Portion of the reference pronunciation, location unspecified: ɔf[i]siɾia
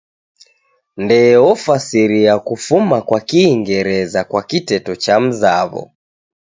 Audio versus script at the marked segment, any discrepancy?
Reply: yes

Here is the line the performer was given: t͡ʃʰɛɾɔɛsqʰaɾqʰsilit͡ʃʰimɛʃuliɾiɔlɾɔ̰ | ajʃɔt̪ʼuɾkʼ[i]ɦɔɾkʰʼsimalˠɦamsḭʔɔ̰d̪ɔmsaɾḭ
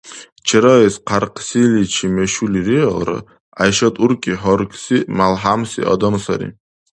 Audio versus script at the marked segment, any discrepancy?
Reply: no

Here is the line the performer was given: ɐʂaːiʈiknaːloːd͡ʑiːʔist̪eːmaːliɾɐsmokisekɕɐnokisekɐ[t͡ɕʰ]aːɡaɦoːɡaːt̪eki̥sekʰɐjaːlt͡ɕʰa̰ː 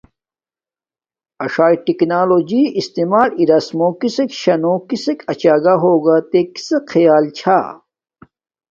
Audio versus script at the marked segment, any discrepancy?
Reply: yes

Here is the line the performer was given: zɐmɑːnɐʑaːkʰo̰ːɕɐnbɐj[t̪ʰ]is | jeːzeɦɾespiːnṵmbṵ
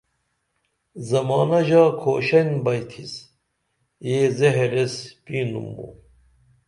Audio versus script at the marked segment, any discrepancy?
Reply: no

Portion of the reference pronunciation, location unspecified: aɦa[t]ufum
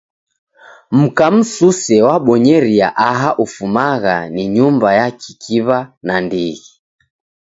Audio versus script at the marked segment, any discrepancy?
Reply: yes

